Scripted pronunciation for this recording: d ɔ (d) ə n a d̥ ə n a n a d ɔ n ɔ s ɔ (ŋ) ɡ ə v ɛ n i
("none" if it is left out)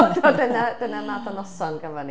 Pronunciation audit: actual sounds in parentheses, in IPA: d, n

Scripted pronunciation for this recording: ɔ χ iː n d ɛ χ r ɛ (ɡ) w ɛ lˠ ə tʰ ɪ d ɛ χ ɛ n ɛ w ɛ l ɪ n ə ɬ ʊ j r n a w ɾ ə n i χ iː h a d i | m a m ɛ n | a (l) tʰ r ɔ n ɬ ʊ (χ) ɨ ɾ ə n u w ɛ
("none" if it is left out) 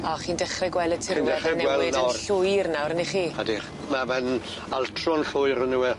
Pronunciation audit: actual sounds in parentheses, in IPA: ɡ, l, none

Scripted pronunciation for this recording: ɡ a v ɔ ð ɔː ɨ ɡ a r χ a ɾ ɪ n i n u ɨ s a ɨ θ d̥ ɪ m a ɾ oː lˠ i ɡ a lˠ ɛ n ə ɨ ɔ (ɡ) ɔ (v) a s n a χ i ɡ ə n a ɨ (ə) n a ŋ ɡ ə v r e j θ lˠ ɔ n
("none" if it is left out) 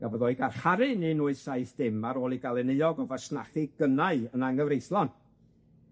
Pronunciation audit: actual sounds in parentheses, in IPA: ɡ, v, ə

